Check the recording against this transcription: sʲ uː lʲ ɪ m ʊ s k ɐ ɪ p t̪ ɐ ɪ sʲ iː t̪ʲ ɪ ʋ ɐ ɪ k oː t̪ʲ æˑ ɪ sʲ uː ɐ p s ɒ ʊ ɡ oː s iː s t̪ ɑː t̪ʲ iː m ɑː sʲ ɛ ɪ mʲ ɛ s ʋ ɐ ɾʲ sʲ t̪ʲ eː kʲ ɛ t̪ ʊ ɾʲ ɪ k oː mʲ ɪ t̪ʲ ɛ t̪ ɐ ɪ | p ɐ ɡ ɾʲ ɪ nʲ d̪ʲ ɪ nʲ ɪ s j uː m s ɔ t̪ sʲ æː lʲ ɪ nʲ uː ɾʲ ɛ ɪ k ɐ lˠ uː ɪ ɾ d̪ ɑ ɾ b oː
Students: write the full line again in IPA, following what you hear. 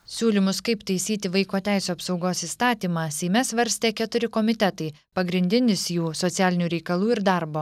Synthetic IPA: sʲ uː lʲ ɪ m ʊ s k ɐ ɪ p t̪ ɐ ɪ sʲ iː t̪ʲ ɪ ʋ ɐ ɪ k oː t̪ʲ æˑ ɪ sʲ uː ɐ p s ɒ ʊ ɡ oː s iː s t̪ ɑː t̪ʲ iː m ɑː sʲ ɛ ɪ mʲ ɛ s ʋ ɐ ɾʲ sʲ t̪ʲ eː kʲ ɛ t̪ ʊ ɾʲ ɪ k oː mʲ ɪ t̪ʲ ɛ t̪ ɐ ɪ | p ɐ ɡ ɾʲ ɪ nʲ d̪ʲ ɪ nʲ ɪ s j uː s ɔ t̪ sʲ æː lʲ ɪ nʲ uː ɾʲ ɛ ɪ k ɐ lˠ uː ɪ ɾ d̪ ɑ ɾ b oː

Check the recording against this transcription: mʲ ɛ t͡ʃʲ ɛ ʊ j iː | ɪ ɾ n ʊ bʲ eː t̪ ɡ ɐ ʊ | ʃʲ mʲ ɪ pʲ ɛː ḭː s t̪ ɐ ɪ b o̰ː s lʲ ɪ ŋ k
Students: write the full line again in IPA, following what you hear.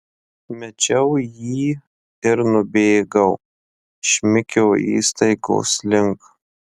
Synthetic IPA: mʲ ɛ t͡ʃʲ ɛ ʊ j iː | ɪ ɾ n ʊ bʲ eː ɡ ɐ ʊ | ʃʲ mʲ ɪ kʲ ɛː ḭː s t̪ ɐ ɪ ɡ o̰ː s lʲ ɪ ŋ k

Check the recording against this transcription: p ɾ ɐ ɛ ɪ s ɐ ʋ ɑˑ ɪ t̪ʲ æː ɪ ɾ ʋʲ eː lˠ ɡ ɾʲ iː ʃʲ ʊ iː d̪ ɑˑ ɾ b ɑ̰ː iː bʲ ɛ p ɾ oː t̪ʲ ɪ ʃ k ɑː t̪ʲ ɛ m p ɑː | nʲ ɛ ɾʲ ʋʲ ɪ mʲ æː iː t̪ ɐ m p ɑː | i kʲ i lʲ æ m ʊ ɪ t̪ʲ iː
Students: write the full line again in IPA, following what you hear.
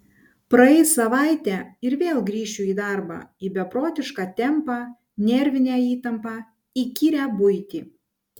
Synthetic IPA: p ɾ ɐ ɛ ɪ s ɐ ʋ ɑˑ ɪ t̪ʲ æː ɪ ɾ ʋʲ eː lˠ ɡ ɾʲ iː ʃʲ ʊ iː d̪ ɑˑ ɾ b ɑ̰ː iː bʲ ɛ p ɾ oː t̪ʲ ɪ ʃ k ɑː t̪ʲ ɛ m p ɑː | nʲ ɛ ɾʲ ʋʲ ɪ nʲ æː iː t̪ ɐ m p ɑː | i kʲ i ɾʲ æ b ʊ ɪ t̪ʲ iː

